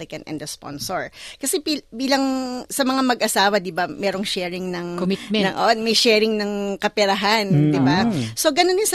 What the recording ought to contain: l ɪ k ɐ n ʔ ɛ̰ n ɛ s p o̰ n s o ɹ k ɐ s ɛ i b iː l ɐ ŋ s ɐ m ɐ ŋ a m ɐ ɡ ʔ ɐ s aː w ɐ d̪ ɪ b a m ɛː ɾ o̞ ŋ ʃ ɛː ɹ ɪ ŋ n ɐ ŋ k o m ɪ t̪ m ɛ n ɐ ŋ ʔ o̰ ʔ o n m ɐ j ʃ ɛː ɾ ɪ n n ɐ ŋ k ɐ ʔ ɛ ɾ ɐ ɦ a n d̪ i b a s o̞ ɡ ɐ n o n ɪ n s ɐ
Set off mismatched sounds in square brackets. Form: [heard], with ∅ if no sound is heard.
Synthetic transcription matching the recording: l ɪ k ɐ n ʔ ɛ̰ n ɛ s p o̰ n s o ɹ k ɐ s ɛ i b iː l ɐ ŋ s ɐ m ɐ ŋ a m ɐ ɡ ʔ ɐ s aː w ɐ d̪ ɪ b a m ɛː ɾ o̞ ŋ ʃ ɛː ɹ ɪ ŋ n ɐ ŋ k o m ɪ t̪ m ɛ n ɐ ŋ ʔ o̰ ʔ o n m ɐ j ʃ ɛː ɾ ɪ [ŋ] n ɐ ŋ k ɐ [p] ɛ ɾ ɐ ɦ a n d̪ [ɪ] b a s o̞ ɡ ɐ n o n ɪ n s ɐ